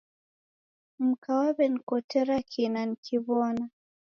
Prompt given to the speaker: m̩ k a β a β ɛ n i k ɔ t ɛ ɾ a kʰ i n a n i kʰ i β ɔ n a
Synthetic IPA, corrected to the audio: m̩ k a w a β ɛ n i k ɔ t ɛ ɾ a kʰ i n a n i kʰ i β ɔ n a